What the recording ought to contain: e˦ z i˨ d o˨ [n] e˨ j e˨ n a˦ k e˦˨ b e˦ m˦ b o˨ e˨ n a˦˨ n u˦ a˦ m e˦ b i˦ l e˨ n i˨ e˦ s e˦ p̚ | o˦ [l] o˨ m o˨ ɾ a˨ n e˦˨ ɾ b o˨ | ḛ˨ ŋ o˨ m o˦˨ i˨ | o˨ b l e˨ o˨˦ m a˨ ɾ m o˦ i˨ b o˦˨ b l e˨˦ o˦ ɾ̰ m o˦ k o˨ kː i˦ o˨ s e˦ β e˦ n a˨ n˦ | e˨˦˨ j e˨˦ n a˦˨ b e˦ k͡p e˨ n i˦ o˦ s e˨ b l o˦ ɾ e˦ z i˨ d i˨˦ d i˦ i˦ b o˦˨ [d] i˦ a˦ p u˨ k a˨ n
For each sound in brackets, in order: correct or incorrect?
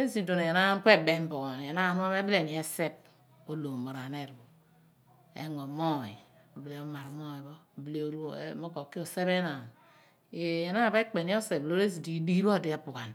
correct, correct, correct

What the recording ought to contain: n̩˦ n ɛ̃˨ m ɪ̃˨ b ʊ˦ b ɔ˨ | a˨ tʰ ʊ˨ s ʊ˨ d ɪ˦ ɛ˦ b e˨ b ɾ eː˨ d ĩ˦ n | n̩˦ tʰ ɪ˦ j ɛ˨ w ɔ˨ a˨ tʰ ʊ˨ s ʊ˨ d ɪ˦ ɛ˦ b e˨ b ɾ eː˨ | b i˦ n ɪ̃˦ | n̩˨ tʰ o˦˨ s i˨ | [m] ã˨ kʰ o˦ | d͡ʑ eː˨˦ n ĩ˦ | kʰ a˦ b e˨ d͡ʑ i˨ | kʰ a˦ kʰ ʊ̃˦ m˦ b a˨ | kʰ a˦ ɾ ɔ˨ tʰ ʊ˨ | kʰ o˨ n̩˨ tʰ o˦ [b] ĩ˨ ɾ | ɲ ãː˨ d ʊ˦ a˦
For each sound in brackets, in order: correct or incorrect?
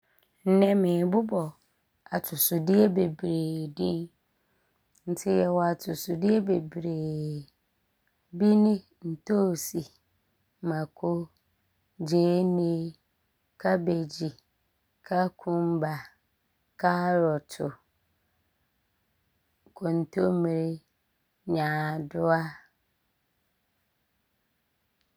correct, incorrect: m

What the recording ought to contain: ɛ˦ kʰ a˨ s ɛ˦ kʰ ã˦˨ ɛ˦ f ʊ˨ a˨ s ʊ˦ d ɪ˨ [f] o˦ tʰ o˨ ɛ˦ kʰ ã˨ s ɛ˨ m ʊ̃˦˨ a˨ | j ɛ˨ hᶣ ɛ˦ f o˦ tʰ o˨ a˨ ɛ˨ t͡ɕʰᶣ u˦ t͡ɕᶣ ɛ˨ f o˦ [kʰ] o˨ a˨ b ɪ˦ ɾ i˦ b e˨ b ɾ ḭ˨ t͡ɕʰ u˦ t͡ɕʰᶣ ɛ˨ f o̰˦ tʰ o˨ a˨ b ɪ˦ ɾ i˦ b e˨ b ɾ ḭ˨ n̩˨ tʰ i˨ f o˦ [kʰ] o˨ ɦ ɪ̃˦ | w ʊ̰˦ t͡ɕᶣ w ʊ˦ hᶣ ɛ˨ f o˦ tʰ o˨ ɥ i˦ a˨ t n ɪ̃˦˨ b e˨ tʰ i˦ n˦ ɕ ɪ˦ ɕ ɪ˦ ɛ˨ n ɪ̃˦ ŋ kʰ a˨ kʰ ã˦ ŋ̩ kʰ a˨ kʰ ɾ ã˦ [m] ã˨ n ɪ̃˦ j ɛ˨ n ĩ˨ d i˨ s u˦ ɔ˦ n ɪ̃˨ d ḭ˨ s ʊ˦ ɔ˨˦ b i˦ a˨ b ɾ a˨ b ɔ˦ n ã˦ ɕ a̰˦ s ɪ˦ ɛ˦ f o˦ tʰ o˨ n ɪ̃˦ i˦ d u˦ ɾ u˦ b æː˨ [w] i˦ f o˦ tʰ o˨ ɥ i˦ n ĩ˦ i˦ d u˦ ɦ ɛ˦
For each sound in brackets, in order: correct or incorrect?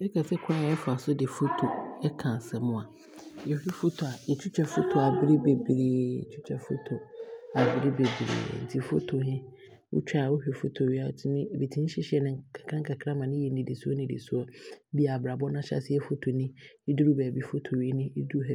correct, incorrect: tʰ, incorrect: tʰ, correct, incorrect: b

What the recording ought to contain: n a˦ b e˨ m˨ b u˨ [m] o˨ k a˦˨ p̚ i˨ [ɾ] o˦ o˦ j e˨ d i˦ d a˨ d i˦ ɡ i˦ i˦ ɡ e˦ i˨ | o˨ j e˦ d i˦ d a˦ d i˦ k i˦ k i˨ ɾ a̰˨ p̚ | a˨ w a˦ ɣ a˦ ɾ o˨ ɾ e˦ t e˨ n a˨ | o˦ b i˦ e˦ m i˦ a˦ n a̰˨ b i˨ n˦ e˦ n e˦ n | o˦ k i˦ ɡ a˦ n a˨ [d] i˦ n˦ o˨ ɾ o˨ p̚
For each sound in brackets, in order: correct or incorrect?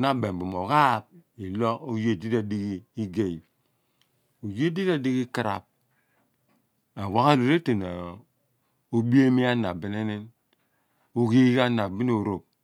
correct, incorrect: l, incorrect: b

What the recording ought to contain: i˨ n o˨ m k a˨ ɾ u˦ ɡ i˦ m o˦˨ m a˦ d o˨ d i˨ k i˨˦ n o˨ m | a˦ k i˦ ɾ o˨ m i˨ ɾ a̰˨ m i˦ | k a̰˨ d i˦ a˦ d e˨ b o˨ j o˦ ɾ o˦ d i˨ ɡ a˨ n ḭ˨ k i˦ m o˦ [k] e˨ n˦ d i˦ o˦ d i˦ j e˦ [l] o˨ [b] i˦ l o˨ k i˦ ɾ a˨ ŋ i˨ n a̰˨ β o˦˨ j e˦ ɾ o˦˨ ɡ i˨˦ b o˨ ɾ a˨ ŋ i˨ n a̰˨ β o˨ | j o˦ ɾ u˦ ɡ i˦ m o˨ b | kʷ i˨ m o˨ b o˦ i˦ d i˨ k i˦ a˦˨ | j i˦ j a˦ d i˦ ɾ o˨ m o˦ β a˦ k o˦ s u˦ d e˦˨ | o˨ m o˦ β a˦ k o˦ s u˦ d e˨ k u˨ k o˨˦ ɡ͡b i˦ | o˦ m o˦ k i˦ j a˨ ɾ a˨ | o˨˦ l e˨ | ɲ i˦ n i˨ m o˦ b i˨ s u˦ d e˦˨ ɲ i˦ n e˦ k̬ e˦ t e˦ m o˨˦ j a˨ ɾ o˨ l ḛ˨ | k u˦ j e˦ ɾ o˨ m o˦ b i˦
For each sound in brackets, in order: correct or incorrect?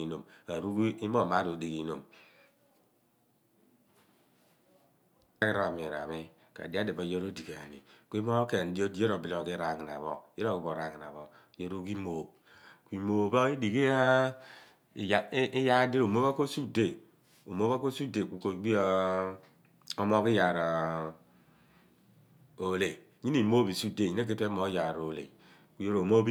correct, incorrect: ɾ, correct

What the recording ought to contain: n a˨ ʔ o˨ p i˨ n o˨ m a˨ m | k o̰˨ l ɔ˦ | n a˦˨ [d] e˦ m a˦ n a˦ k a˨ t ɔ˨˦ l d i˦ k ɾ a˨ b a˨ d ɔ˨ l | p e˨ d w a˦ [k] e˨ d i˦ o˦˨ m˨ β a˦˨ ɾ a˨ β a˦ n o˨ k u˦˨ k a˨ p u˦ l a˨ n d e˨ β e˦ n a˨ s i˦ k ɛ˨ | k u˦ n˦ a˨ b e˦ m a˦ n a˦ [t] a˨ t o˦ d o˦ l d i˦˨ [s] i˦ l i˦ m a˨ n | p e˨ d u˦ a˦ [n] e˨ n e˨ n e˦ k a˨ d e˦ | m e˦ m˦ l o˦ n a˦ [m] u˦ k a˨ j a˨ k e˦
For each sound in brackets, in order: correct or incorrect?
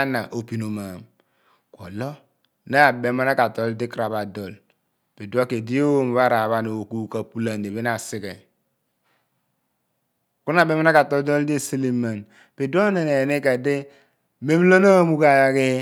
incorrect: b, correct, incorrect: k, correct, correct, correct

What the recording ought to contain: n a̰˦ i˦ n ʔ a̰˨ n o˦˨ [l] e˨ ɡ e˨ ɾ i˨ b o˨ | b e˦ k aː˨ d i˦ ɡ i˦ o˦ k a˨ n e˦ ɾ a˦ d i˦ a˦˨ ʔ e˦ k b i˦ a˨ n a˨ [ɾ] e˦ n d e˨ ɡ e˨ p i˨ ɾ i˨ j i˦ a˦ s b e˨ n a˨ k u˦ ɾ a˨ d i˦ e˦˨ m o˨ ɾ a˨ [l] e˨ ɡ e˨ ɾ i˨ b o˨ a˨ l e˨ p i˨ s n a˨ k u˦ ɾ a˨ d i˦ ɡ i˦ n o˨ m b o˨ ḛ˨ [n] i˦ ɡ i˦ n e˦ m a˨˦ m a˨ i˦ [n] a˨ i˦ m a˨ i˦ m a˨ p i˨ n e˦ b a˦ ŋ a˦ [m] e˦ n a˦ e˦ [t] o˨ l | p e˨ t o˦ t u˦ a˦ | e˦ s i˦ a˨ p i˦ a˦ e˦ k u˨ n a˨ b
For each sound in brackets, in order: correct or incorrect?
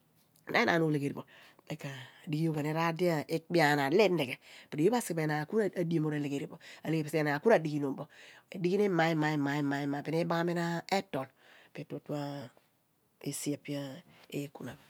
correct, incorrect: l, correct, incorrect: d, incorrect: m, correct, correct

